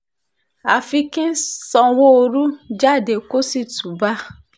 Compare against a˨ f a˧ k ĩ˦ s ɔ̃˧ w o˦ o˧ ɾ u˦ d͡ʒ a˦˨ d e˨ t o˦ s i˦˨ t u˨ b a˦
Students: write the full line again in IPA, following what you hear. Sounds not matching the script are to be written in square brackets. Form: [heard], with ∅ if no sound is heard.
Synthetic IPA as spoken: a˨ f [i˧] k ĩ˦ s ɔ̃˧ w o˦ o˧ ɾ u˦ d͡ʒ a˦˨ d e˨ [k] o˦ s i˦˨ t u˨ b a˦